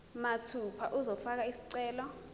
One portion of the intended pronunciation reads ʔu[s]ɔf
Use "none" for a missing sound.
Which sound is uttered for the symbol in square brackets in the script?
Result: z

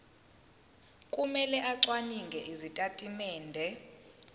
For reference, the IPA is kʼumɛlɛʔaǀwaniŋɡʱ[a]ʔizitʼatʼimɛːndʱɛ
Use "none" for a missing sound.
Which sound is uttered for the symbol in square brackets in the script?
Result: ɛ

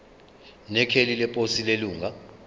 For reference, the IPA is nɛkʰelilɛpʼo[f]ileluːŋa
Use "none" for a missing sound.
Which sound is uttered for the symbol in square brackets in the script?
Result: s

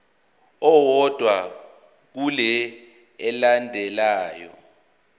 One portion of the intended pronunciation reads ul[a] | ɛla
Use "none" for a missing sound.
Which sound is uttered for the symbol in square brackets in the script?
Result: ɛ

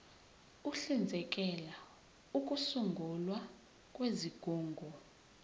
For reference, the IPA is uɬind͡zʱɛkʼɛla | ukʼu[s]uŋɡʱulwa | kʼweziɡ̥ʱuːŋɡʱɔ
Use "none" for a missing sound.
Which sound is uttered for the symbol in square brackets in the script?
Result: s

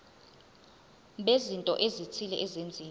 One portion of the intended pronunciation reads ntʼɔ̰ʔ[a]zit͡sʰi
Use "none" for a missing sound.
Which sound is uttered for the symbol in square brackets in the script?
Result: e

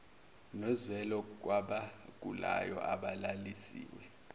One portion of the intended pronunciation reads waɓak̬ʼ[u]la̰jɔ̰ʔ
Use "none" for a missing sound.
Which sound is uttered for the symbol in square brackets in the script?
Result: u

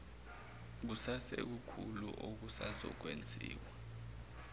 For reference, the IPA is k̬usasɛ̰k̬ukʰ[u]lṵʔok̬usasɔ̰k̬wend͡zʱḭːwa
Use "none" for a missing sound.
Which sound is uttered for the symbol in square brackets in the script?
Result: u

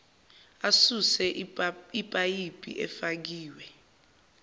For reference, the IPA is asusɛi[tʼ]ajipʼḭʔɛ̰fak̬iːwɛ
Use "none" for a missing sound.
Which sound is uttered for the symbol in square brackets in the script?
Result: pʼ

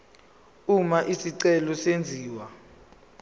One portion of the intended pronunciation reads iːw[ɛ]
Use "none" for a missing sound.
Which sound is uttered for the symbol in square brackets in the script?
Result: a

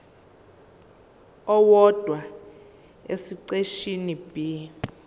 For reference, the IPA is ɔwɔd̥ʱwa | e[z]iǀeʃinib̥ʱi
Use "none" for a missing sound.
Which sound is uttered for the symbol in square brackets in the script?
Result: s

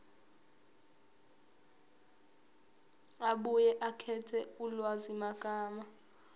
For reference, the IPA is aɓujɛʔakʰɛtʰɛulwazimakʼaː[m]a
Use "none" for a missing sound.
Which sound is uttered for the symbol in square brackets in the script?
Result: m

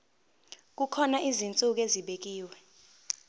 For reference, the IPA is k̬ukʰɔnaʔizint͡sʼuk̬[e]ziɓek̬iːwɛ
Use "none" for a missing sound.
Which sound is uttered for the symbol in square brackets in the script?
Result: e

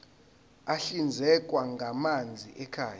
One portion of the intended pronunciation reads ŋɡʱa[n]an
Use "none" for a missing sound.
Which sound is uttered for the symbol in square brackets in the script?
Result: m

